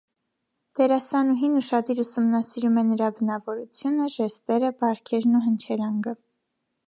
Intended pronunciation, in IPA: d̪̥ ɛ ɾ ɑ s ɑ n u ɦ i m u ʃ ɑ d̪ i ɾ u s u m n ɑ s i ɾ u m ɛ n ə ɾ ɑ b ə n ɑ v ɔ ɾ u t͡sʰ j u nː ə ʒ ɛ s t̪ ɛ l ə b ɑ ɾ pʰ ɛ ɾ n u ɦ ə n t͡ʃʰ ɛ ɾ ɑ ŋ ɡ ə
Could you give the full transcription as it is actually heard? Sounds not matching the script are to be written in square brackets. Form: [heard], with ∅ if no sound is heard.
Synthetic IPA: d̪̥ ɛ ɾ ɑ s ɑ n u ɦ i [n] u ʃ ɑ d̪ i ɾ u s u m n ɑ s i ɾ u m ɛ n ə ɾ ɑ b ə n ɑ v ɔ ɾ u t͡sʰ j u [n] ə ʒ ɛ s t̪ ɛ [ɾ] ə b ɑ ɾ [kʰ] ɛ ɾ n u ɦ ə n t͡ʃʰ ɛ ɾ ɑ ŋ ɡ ə

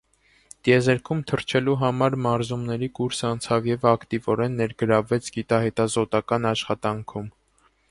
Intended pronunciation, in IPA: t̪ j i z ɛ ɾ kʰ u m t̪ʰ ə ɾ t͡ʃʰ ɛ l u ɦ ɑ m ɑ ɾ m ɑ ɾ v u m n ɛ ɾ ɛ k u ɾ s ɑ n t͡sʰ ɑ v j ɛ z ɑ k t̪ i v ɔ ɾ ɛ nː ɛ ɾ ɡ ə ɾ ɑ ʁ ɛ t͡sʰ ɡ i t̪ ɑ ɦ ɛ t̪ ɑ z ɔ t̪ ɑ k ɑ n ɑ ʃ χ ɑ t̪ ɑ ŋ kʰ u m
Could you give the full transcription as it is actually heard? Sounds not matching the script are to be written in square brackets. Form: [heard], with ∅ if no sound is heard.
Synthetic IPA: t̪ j [ɛ] z ɛ ɾ kʰ u m t̪ʰ ə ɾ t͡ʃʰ ɛ l u ɦ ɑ m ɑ ɾ m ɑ ɾ [z] u m n ɛ ɾ [i] k u ɾ s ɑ n t͡sʰ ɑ v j ɛ [v] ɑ k t̪ i v ɔ ɾ ɛ nː ɛ ɾ ɡ ə ɾ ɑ [v] ɛ t͡sʰ ɡ i t̪ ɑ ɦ ɛ t̪ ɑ z ɔ t̪ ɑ k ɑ n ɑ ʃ χ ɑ t̪ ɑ ŋ kʰ u m

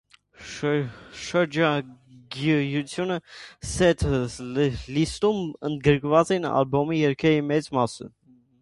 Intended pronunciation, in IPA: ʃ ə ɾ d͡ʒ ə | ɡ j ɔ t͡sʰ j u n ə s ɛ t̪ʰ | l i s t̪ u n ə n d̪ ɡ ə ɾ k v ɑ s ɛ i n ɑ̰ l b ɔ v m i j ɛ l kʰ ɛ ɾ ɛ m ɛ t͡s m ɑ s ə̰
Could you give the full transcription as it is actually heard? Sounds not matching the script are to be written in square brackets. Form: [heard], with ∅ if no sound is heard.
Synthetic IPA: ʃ ə ɾ d͡ʒ [ɑ] | ɡ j [u] t͡sʰ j u n ə s ɛ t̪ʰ | l i s t̪ u [m] ə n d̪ ɡ ə ɾ k v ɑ [t͡s] ɛ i n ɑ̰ l b ɔ [∅] m i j ɛ [ɾ] kʰ ɛ ɾ [i] m ɛ t͡s m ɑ s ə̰

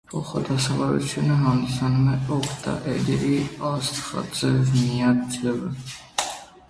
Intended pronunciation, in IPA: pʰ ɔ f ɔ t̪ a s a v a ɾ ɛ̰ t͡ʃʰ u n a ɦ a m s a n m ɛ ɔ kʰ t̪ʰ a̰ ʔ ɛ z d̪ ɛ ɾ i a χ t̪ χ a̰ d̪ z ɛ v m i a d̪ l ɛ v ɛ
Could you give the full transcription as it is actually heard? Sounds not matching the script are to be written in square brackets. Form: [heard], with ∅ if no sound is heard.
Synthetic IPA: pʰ ɔ [χ] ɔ [d̪] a s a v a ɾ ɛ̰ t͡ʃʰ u n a ɦ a m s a n m ɛ ɔ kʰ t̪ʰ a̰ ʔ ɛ [∅] d̪ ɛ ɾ i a [s] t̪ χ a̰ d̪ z ɛ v m i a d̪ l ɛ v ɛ

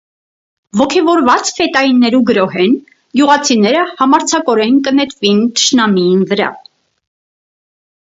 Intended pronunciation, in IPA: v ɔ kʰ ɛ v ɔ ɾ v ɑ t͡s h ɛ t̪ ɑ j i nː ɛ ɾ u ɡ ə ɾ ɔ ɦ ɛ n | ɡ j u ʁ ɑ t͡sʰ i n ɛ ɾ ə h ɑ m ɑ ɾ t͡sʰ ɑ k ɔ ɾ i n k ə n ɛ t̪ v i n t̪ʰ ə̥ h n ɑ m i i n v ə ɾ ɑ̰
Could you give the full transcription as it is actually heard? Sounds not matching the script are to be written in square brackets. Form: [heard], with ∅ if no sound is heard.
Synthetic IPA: v ɔ kʰ ɛ v ɔ ɾ v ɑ t͡s [f] ɛ t̪ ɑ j i nː ɛ ɾ u ɡ ə ɾ ɔ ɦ ɛ n | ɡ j u ʁ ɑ t͡sʰ i n ɛ ɾ ə h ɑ m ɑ ɾ t͡sʰ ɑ k ɔ ɾ [ɛ] n k ə n ɛ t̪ v i n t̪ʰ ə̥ [ʃ] n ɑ m i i n v ə ɾ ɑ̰

